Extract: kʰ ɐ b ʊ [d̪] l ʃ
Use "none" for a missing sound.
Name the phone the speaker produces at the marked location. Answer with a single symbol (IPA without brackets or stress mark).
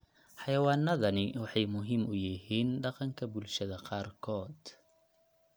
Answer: none